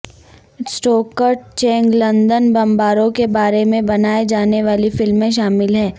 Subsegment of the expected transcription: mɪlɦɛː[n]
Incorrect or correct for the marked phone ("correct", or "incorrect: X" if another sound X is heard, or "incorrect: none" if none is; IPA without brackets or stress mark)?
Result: incorrect: none